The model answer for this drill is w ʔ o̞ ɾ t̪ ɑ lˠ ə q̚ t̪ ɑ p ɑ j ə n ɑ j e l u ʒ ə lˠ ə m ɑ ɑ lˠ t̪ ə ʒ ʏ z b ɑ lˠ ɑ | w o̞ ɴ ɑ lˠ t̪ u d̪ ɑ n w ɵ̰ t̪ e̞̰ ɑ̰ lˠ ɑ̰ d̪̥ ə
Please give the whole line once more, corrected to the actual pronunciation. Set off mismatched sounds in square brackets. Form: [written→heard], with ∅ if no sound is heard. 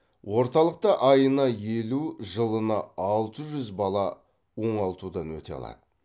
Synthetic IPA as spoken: w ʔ o̞ ɾ t̪ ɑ lˠ ə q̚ t̪ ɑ [p→ʔ] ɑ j ə n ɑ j e l u ʒ ə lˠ ə [m→n] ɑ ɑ lˠ t̪ ə ʒ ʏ z b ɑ lˠ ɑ | w o̞ ɴ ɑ lˠ t̪ u d̪ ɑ n w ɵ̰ t̪ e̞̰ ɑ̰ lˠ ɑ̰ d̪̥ ə